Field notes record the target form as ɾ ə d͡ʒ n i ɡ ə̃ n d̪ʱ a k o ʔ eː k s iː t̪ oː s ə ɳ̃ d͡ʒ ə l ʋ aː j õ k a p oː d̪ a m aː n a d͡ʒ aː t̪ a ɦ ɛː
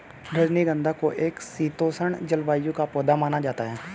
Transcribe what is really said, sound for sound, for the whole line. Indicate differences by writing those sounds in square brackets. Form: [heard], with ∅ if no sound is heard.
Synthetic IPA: ɾ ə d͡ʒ n i ɡ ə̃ n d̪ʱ a k o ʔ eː k s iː t̪ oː s ə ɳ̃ d͡ʒ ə l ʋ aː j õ k a p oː d̪ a m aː n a d͡ʒ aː t̪ a ɦ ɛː